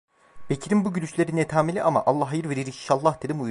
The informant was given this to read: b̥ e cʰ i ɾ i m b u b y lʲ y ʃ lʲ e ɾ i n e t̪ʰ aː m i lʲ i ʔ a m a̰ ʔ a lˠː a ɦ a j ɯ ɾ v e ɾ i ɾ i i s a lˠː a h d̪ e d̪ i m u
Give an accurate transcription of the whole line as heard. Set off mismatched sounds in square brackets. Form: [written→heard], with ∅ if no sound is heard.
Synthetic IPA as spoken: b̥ e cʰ i ɾ i m b u [b→ɟ] y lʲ y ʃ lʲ e ɾ i n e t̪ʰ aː m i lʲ i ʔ a m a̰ ʔ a lˠː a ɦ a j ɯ ɾ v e ɾ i ɾ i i [s→ʃ] a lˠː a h d̪ e d̪ i m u